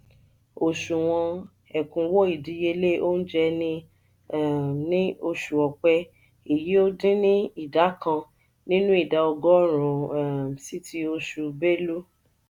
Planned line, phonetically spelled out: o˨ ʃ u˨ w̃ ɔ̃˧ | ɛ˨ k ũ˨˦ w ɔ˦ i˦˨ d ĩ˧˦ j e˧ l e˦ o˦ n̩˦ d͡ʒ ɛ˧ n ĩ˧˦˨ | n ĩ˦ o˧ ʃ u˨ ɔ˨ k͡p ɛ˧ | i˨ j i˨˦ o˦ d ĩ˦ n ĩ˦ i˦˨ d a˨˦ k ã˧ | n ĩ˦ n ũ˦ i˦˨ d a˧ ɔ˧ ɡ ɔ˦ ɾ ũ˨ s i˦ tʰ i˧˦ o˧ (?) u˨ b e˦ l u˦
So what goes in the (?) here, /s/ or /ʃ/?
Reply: ʃ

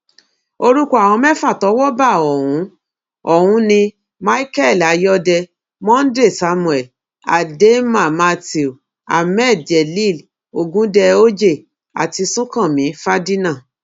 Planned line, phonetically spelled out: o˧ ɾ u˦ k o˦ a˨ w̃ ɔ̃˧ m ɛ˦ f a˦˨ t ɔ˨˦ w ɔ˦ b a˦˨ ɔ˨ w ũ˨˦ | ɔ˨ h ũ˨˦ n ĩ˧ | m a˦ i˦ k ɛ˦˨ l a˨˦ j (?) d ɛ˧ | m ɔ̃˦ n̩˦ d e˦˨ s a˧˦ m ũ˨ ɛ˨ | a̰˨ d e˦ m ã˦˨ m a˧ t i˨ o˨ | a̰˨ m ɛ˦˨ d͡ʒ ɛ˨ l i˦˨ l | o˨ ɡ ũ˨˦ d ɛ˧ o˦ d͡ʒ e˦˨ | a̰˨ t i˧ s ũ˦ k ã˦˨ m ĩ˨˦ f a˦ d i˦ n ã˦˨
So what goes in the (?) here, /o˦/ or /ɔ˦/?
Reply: ɔ˦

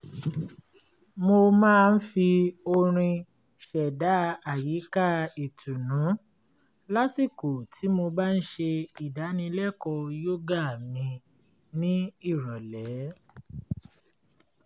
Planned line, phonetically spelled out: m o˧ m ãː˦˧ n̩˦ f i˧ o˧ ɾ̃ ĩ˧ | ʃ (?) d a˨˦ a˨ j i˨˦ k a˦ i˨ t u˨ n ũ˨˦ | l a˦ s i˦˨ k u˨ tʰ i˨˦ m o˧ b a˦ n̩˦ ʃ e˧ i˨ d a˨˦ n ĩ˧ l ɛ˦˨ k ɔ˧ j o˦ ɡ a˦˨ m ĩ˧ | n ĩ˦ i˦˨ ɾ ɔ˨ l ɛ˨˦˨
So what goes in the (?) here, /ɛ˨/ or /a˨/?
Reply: ɛ˨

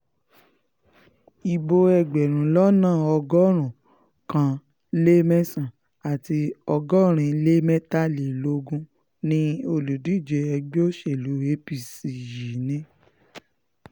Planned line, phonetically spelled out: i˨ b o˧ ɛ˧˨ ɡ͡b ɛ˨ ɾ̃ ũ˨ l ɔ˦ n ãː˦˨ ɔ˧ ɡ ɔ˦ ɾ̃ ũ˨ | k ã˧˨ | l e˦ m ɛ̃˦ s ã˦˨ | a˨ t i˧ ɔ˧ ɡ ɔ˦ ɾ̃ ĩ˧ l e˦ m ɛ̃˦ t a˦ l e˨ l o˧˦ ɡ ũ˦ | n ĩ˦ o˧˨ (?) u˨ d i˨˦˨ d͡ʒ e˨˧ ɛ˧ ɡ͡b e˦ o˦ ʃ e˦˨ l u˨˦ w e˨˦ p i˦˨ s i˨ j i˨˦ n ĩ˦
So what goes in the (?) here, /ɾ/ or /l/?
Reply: l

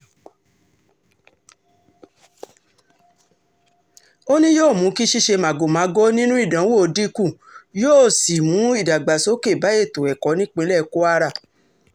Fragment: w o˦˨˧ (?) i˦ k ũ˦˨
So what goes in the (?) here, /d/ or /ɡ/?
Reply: d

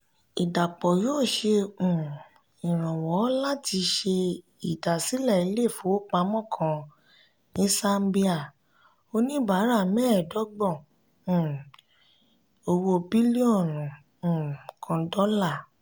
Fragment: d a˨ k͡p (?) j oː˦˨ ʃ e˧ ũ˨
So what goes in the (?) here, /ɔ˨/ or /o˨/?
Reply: ɔ˨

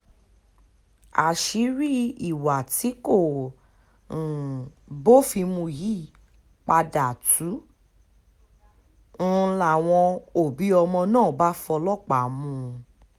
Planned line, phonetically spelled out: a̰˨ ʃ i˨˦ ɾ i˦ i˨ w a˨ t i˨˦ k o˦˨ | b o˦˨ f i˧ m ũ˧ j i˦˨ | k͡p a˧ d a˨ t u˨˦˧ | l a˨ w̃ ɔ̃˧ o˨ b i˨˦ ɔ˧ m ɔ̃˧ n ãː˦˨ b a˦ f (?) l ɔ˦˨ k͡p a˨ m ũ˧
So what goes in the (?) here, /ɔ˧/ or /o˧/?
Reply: ɔ˧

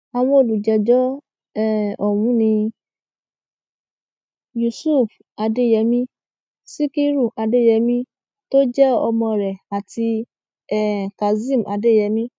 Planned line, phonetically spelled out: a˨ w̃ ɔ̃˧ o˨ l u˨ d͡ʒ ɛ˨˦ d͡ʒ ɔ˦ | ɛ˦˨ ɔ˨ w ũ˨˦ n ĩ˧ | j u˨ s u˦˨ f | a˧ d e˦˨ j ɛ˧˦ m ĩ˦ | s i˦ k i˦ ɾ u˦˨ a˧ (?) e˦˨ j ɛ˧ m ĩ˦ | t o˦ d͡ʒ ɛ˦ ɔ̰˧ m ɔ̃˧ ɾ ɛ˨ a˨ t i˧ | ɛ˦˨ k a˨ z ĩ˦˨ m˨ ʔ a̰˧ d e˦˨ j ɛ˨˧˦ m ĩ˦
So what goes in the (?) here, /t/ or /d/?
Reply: d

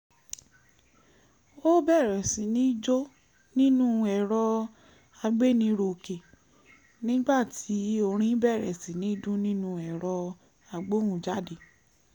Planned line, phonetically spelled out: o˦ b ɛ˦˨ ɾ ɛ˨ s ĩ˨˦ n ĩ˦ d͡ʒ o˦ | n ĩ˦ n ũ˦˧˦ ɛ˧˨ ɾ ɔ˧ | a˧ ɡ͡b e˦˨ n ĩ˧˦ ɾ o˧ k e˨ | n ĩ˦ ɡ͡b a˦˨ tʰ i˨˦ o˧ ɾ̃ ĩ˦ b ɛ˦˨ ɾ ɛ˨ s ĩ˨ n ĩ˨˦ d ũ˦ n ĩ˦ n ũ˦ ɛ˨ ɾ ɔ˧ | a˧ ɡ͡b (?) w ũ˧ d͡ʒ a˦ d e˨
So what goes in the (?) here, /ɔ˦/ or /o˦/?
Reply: o˦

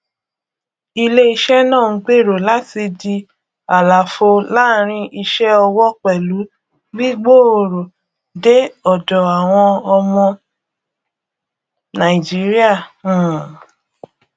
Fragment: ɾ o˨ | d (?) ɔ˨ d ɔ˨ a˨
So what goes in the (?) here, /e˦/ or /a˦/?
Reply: e˦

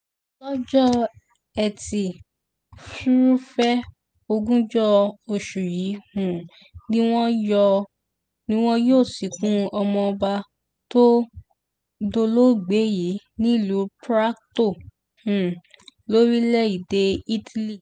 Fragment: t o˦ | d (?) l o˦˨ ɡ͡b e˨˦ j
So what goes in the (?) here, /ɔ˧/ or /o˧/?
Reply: o˧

